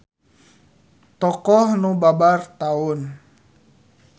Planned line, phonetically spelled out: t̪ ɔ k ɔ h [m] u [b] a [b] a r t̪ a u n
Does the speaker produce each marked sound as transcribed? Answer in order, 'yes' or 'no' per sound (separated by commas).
no, yes, yes